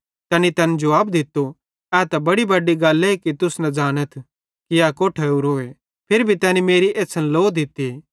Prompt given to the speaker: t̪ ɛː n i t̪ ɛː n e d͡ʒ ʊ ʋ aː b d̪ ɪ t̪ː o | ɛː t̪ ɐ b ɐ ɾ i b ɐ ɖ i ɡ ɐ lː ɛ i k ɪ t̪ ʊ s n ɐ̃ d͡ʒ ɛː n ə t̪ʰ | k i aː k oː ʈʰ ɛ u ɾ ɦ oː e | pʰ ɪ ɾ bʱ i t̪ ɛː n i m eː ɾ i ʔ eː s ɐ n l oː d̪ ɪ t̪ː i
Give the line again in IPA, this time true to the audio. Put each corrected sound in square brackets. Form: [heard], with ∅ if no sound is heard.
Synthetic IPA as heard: t̪ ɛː n i t̪ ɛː n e d͡ʒ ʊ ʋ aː b d̪ ɪ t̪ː o | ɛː t̪ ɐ b ɐ [ɽ] i b ɐ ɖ i ɡ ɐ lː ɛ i k [i] t̪ ʊ s n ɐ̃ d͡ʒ [aː] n ə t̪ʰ | k i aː k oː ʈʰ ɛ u ɾ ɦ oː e | pʰ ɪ ɾ bʱ i t̪ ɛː n i m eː ɾ i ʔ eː s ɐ n l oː d̪ ɪ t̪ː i